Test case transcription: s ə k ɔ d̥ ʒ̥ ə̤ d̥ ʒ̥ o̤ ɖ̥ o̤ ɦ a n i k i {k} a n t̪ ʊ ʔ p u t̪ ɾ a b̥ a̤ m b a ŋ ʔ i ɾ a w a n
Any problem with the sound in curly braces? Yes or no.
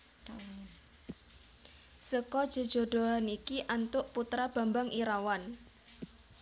yes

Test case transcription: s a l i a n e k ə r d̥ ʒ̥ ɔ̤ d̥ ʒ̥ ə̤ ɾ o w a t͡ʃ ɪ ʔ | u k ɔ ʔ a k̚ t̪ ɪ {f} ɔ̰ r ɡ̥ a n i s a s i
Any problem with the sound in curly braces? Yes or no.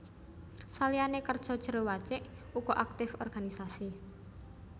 no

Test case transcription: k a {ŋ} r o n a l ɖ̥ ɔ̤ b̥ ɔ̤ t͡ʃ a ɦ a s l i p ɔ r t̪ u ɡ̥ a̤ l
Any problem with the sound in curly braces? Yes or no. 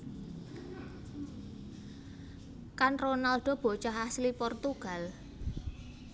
yes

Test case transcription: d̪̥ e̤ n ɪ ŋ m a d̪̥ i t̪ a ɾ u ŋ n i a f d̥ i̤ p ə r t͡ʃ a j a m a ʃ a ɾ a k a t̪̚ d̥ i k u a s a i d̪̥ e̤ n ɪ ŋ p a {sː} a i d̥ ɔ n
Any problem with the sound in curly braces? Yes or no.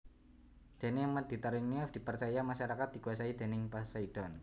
yes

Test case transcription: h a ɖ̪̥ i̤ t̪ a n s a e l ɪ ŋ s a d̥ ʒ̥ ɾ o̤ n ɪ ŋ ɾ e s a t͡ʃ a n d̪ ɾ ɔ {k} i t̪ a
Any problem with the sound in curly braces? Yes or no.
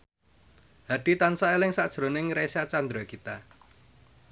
no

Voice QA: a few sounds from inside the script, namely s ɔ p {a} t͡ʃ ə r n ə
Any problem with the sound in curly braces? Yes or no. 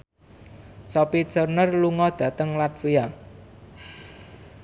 yes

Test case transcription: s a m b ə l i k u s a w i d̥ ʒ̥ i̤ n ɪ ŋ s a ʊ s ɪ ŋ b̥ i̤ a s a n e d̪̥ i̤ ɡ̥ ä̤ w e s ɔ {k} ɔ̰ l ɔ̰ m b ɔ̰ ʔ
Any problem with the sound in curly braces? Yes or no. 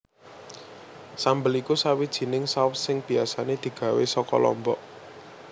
no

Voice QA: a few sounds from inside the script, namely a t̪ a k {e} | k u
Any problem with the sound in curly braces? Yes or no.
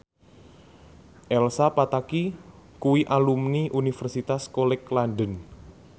yes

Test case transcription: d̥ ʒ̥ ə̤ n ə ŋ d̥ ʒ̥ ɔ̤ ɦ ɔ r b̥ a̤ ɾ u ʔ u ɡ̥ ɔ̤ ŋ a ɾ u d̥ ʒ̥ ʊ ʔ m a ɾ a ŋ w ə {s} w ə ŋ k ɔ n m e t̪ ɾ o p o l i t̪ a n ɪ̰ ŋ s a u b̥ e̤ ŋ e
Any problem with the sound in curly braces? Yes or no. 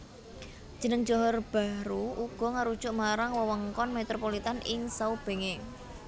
yes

